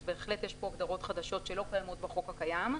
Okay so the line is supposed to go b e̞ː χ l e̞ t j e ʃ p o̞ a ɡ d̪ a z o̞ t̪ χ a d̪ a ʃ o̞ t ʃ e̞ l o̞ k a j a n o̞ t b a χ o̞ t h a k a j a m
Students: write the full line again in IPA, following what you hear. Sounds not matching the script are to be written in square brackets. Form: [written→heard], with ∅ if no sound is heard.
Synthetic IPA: b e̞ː χ l e̞ t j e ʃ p o̞ a ɡ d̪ a [z→ʁ] o̞ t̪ χ a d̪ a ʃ o̞ t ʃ e̞ l o̞ k a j a [n→m] o̞ t b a χ o̞ [t→k] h a k a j a m